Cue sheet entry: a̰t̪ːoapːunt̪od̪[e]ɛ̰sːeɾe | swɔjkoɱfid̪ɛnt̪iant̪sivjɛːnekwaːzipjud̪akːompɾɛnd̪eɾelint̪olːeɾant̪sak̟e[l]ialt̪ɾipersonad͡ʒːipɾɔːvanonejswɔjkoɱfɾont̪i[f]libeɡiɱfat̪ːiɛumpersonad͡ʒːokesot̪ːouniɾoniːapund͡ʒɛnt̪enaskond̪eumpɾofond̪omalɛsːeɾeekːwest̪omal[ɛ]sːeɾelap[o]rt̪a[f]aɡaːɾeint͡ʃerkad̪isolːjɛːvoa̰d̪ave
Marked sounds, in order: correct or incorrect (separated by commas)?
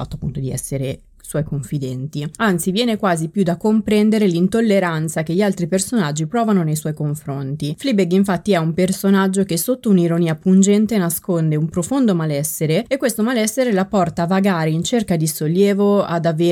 incorrect, incorrect, correct, correct, incorrect, incorrect